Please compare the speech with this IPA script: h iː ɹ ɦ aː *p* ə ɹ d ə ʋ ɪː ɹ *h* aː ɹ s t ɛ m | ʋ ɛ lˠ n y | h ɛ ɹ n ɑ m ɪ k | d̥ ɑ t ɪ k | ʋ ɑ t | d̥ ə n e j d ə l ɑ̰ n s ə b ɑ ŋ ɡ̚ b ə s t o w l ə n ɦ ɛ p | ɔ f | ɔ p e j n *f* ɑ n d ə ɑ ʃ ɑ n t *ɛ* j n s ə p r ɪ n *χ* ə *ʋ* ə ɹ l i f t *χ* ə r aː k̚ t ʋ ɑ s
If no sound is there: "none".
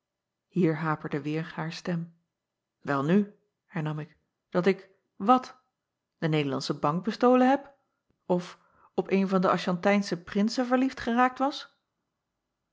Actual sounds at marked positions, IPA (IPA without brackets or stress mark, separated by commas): p, h, v, ɛ, s, v, χ